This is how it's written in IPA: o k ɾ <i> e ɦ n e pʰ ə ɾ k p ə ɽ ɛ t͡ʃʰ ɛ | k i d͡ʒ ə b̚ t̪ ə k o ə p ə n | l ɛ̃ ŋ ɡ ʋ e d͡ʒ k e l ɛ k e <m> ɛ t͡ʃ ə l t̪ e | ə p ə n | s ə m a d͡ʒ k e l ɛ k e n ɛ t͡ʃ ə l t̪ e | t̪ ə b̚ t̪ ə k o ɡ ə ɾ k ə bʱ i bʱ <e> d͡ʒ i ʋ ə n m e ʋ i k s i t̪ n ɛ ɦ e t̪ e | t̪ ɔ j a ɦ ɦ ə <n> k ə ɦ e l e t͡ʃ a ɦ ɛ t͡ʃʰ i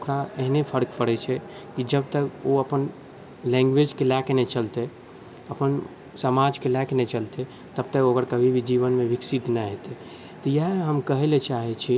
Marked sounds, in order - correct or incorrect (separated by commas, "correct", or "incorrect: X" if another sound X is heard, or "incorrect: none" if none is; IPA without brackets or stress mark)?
incorrect: a, incorrect: n, incorrect: i, incorrect: m